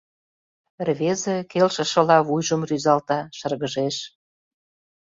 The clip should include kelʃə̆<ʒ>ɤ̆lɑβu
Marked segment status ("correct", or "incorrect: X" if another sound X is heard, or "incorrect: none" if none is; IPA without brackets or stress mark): incorrect: ʃ